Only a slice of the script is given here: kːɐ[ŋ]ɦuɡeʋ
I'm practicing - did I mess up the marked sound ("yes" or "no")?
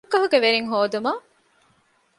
yes